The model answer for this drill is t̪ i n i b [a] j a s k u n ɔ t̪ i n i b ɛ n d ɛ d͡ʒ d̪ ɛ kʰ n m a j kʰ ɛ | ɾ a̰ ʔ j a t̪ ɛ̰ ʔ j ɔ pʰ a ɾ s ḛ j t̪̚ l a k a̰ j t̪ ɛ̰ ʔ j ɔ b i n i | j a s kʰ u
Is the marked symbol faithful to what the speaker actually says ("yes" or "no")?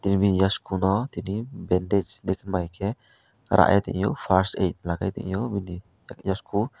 no